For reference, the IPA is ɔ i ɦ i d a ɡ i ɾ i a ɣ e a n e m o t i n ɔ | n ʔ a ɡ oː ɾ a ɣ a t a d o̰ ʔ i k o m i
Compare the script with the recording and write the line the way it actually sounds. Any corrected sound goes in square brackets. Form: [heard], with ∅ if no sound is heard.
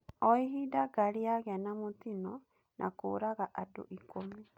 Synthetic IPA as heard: ɔ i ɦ i d a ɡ [a] ɾ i a ɣ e a n [a] m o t i n ɔ | n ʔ a [k] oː ɾ a ɣ a [ʔ] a d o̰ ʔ i k o m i